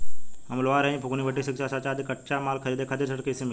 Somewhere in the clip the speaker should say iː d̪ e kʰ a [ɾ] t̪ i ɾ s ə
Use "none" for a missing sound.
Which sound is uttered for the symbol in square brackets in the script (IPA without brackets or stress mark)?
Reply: none